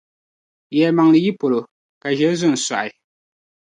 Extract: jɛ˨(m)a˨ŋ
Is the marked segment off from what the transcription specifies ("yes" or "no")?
no